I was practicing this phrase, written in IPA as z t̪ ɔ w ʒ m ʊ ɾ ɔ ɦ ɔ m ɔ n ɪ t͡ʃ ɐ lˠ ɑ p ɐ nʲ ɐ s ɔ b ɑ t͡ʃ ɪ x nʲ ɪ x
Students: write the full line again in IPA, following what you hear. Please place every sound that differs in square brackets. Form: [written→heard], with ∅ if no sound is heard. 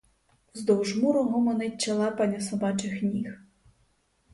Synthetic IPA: z [t̪→d̪] ɔ w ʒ m [ʊ→u] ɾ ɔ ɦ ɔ m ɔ n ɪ t͡ʃ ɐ lˠ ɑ p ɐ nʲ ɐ s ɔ b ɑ t͡ʃ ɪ x nʲ [ɪ→i] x